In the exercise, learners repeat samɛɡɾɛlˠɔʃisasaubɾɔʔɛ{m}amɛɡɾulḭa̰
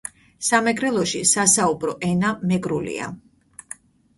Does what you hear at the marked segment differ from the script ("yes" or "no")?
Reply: yes